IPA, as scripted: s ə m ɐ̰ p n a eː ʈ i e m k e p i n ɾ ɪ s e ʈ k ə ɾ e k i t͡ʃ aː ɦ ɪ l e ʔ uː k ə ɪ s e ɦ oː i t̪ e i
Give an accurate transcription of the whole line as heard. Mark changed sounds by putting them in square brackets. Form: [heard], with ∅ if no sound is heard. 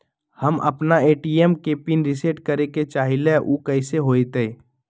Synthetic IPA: [h] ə m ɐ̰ p n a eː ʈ i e m k e p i n ɾ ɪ s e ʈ k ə ɾ e k [e] t͡ʃ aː ɦ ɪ l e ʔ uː k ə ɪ s e ɦ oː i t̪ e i